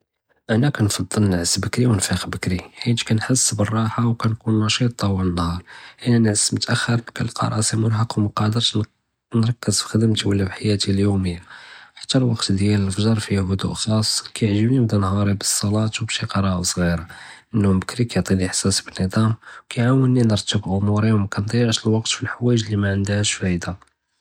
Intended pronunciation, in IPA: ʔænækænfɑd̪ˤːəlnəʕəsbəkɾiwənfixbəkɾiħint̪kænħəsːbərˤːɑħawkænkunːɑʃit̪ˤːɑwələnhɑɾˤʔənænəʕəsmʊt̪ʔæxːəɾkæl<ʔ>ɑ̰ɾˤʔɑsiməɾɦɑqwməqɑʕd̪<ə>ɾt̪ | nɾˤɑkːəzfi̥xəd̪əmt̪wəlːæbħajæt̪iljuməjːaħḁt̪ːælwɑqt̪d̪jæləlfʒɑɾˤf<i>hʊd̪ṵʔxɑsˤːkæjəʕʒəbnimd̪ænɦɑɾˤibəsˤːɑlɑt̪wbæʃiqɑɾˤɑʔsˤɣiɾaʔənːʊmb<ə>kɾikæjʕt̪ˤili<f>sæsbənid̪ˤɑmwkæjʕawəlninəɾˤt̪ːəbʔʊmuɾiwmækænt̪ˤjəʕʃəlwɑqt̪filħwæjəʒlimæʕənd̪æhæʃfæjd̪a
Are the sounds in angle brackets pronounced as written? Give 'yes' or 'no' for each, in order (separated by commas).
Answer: no, yes, yes, yes, no